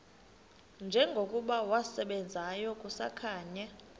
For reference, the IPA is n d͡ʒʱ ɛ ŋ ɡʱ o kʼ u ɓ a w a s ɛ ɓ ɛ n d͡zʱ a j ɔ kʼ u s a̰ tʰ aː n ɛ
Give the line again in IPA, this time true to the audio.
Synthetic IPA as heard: n d͡ʒʱ ɛ ŋ ɡʱ o kʼ u ɓ a w a s ɛ ɓ ɛ n d͡zʱ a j ɔ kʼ u s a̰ kʰ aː ɲ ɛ